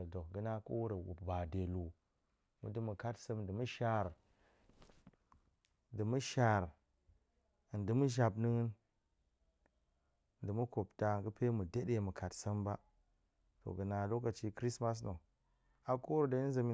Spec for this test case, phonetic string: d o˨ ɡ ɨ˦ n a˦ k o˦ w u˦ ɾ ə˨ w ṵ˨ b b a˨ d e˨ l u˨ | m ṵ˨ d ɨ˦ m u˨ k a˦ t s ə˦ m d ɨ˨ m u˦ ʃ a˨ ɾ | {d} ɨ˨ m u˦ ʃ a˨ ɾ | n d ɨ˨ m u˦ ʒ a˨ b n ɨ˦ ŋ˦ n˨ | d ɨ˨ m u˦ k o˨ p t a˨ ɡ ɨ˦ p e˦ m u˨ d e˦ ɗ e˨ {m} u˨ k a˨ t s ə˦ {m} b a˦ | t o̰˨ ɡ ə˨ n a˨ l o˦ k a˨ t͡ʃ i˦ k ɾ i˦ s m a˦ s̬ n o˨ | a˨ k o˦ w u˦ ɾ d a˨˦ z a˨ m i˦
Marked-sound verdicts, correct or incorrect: correct, correct, correct

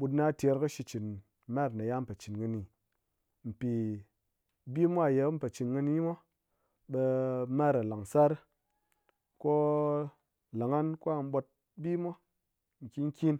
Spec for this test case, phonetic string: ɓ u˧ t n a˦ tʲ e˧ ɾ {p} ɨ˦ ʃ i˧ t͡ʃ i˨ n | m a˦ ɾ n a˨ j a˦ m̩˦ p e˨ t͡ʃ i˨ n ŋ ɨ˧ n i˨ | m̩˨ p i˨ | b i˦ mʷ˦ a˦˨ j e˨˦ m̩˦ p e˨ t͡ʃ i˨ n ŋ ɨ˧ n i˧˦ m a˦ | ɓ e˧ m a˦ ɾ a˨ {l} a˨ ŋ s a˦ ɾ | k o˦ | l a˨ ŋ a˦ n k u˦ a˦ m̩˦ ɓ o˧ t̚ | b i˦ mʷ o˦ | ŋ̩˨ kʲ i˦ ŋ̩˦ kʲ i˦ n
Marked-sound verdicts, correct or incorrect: incorrect, correct

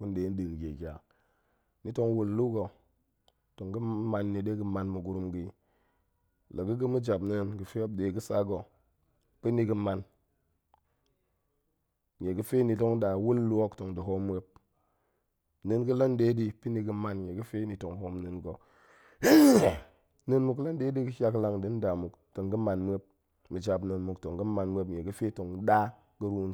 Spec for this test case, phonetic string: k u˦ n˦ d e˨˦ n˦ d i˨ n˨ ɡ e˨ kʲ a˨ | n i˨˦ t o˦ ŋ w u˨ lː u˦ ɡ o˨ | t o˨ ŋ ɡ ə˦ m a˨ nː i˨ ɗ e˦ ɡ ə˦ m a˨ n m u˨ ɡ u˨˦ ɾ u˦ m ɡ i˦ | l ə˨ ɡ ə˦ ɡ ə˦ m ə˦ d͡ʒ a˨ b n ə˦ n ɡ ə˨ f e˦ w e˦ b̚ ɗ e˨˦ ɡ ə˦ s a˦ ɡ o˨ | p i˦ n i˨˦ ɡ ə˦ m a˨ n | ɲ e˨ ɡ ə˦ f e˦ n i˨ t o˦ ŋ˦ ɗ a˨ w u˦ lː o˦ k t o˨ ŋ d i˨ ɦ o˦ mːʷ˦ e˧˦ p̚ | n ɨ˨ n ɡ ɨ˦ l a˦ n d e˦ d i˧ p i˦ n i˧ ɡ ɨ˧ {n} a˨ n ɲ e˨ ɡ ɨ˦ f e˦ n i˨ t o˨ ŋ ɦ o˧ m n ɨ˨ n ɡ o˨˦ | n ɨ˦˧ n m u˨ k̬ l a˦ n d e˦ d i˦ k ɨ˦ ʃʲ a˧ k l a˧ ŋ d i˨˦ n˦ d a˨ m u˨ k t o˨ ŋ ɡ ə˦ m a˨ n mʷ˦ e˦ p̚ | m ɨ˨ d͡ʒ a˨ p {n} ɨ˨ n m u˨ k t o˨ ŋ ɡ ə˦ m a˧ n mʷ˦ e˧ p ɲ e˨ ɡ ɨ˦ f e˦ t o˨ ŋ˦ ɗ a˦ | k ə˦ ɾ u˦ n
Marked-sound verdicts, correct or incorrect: incorrect, correct

